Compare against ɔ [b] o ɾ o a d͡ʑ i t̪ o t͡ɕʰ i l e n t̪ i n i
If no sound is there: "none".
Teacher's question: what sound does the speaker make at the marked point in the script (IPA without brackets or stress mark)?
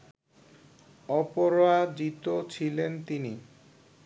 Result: p